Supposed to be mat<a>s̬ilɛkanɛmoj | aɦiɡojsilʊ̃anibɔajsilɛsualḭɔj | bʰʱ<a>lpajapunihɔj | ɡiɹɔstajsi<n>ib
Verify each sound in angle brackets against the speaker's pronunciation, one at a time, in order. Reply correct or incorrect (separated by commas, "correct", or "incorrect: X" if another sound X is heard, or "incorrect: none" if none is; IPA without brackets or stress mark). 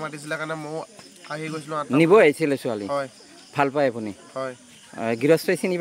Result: incorrect: i, correct, correct